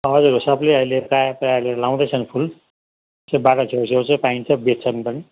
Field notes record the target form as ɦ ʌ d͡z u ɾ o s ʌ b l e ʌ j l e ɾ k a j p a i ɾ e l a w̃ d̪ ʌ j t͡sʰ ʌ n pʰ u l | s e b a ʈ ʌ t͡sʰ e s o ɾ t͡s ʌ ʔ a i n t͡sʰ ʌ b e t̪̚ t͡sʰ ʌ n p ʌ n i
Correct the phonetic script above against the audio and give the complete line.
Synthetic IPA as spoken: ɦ ʌ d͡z u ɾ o s ʌ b l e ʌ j l e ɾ k a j p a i l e l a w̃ d̪ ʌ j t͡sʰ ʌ n pʰ u l | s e b a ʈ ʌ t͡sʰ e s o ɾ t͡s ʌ p a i n t͡sʰ ʌ b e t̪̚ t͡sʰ ʌ n p ʌ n i